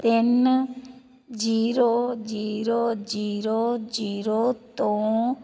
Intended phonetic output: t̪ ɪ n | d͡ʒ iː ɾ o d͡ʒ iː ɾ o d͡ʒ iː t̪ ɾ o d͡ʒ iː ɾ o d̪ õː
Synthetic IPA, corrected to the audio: t̪ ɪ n | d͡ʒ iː ɾ o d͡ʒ iː ɾ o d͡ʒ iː ɾ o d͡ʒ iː ɾ o t̪ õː